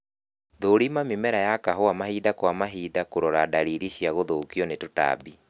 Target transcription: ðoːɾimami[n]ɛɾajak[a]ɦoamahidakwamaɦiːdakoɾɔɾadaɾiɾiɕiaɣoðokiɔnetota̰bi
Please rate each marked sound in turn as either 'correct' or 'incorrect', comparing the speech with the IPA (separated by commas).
incorrect, correct